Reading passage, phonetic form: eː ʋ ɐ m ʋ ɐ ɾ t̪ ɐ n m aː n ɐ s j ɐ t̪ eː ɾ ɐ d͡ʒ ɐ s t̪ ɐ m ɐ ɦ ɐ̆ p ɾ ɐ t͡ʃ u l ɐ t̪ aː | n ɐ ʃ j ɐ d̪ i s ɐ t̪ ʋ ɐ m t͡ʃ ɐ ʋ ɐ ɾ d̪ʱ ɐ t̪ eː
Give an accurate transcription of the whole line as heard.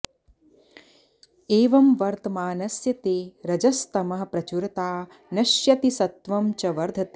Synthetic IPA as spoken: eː ʋ ɐ m ʋ ɐ ɾ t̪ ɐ m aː n ɐ s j ɐ t̪ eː ɾ ɐ d͡ʒ ɐ s t̪ ɐ m ɐ ɦ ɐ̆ p ɾ ɐ t͡ʃ u ɾ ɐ t̪ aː | n ɐ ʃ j ɐ t̪ i s ɐ t̪ ʋ ɐ m t͡ʃ ɐ ʋ ɐ ɾ d̪ʱ ɐ t̪ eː